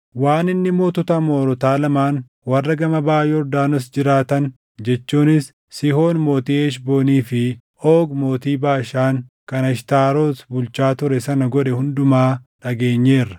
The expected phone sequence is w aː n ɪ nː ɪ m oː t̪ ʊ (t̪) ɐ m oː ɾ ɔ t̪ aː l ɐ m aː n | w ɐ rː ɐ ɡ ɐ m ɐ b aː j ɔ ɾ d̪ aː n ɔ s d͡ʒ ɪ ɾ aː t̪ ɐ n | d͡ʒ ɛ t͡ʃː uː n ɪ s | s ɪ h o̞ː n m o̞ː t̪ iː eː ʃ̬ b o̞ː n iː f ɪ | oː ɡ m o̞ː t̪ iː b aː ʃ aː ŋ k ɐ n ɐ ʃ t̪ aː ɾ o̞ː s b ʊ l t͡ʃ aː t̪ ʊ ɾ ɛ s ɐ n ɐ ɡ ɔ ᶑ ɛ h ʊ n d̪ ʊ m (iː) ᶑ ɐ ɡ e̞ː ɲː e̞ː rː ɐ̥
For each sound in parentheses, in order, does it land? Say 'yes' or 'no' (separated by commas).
yes, no